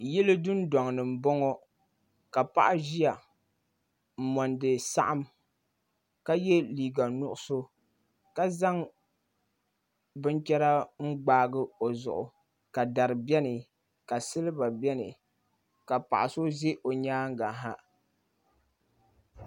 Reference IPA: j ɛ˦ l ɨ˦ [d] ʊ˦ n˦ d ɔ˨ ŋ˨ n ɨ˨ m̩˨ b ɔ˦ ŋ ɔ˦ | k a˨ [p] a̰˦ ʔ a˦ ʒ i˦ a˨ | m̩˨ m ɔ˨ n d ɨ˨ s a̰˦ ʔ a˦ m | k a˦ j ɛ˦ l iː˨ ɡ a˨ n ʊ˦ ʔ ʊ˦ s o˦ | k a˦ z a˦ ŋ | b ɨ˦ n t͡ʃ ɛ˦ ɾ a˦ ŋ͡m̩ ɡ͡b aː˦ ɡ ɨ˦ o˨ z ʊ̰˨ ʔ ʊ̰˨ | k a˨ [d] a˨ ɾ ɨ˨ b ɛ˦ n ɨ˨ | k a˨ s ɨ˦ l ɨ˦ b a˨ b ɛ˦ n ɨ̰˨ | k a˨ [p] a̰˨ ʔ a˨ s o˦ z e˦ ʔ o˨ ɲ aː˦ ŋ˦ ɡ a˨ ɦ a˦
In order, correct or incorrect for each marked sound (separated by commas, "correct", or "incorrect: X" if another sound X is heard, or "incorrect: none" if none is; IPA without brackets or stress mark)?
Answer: correct, correct, correct, correct